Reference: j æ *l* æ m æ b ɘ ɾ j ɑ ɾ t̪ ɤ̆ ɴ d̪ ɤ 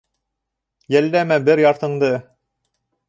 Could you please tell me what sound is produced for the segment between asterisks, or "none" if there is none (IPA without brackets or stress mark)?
lː